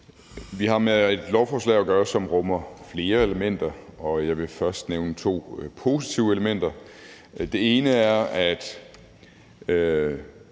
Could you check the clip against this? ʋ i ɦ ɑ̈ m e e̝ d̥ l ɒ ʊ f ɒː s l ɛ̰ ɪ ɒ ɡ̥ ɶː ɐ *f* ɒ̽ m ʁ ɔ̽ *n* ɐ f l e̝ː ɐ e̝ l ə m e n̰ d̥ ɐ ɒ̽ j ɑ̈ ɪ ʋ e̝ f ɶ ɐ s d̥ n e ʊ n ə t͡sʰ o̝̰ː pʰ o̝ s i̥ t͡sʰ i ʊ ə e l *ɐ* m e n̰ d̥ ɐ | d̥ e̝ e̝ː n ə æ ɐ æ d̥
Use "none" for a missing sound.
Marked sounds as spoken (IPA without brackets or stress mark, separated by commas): s, m, ə